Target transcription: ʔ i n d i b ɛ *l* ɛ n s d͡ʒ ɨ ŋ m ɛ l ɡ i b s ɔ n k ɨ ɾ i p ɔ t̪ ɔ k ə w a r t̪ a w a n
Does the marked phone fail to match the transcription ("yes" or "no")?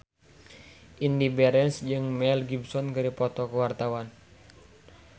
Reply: yes